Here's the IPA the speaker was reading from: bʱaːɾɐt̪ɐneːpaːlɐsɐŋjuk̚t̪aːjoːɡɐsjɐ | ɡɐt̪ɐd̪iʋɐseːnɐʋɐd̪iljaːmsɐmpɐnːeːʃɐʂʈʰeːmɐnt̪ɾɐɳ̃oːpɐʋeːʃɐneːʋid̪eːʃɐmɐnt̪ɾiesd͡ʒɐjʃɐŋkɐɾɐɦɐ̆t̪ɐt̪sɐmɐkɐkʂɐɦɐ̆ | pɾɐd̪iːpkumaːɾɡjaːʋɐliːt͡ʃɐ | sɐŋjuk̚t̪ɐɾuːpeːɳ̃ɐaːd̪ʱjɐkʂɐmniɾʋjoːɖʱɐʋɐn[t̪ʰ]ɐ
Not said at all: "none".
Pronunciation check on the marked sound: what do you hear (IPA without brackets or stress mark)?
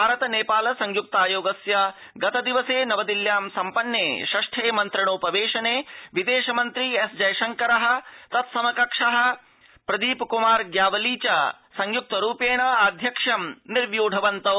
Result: t̪